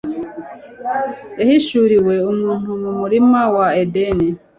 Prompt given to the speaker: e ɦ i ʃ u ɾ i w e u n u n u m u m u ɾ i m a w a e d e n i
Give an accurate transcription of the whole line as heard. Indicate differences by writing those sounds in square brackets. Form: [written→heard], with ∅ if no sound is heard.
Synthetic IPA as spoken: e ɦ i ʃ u ɾ i w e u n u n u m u m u ɾ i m a w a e d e n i